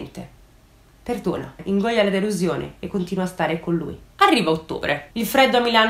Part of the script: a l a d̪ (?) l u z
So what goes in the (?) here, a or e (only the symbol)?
e